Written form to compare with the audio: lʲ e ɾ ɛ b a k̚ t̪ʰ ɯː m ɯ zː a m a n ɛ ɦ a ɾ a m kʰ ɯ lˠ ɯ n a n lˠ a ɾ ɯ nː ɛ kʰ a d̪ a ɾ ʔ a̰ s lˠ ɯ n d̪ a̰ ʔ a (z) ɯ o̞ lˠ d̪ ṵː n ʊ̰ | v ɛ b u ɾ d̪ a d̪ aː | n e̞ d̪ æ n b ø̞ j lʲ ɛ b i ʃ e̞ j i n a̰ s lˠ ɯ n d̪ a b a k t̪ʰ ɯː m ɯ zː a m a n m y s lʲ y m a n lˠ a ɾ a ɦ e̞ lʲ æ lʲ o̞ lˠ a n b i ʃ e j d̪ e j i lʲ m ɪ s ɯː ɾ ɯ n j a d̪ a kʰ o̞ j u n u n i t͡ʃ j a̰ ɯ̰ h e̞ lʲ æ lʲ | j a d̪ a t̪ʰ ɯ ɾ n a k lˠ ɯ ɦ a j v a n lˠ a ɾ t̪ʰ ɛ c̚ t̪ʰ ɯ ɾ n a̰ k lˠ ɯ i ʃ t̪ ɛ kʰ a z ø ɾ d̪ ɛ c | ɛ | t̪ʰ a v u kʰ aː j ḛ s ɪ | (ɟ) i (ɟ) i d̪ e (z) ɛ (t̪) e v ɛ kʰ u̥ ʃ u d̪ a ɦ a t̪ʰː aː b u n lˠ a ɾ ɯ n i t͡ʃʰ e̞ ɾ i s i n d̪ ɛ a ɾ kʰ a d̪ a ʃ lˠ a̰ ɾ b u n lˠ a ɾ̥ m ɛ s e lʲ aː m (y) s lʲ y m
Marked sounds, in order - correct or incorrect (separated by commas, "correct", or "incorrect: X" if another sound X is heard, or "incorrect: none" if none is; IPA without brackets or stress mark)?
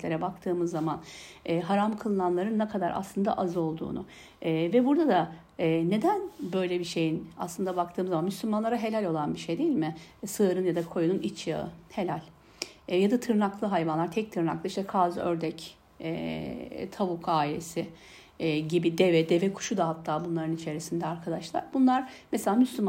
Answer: correct, correct, incorrect: b, incorrect: v, incorrect: d̪, correct